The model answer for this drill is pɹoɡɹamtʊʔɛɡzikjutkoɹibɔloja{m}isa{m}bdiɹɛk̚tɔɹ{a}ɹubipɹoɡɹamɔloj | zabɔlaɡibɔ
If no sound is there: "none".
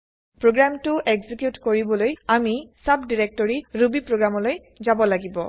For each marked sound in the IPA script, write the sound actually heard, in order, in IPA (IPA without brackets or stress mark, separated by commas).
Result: m, none, i